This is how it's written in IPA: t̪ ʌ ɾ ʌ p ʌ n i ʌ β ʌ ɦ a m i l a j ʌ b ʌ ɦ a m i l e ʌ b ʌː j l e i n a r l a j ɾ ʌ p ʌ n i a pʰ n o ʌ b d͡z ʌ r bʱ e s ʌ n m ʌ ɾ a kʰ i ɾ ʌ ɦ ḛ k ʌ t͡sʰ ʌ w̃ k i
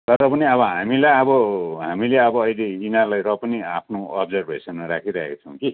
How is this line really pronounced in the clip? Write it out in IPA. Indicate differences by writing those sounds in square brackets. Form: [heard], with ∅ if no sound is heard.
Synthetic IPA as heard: t̪ ʌ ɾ ʌ p ʌ n i ʌ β ʌ ɦ a m i l a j ʌ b ʌ ɦ a m i l e ʌ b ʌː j l e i n a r l a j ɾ ʌ p ʌ n i a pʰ n o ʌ b d͡z ʌ r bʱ e s ʌ n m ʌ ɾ a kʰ i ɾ ʌ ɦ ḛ k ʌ t͡sʰ ʌ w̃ k i